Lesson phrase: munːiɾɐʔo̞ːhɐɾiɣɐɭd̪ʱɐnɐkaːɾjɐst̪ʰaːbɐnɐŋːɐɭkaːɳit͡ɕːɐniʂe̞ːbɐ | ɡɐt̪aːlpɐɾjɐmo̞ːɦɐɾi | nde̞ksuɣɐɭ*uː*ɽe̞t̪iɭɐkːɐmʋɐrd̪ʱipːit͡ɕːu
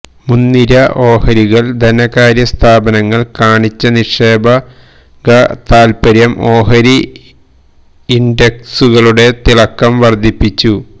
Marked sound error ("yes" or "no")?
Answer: yes